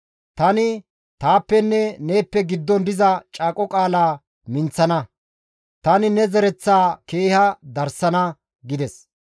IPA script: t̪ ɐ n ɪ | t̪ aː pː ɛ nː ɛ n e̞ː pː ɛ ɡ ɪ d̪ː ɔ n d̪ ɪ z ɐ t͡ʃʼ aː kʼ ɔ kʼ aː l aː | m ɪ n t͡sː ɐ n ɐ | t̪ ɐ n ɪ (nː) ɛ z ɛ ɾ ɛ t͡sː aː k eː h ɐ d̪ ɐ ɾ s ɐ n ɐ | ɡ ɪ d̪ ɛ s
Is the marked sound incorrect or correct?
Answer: incorrect